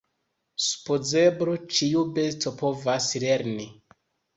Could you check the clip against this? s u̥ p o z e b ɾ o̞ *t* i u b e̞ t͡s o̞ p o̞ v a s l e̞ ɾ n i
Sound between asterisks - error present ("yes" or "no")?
yes